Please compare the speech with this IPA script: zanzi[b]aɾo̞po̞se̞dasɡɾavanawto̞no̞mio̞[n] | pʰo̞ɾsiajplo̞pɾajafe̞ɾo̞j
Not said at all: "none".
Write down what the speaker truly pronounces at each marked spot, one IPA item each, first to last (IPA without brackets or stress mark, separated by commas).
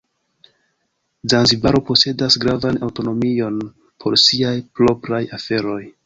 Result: b, n